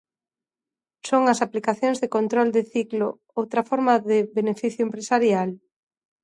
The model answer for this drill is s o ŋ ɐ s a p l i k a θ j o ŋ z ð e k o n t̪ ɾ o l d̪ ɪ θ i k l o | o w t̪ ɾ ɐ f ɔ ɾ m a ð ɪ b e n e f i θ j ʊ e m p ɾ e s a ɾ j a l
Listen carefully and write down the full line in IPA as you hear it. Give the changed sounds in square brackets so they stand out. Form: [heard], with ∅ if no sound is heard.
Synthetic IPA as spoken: s o ŋ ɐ s a p l i k a θ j o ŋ z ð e k o n t̪ ɾ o l d̪ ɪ θ i k l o | o w t̪ ɾ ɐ f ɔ ɾ m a ð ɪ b e n e f i θ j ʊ e m p ɾ e s a ɾ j a l